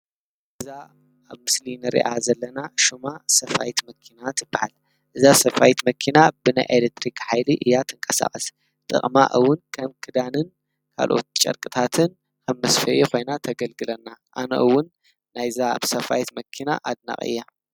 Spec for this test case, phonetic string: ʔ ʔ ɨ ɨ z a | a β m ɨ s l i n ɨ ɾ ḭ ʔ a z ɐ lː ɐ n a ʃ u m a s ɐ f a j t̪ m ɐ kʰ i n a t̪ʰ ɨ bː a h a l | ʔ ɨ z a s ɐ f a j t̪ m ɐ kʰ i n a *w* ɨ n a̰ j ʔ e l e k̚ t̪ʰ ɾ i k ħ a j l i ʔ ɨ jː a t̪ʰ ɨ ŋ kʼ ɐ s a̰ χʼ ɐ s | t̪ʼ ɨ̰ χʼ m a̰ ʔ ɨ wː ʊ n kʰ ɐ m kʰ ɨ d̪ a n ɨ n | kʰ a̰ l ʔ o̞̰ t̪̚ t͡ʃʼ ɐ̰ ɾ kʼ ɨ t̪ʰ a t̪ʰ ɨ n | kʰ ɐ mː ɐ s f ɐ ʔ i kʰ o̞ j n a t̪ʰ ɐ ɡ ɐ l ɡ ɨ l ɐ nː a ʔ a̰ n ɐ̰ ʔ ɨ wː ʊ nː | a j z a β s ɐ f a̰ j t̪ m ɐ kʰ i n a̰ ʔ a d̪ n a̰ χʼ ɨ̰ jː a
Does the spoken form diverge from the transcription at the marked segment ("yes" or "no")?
yes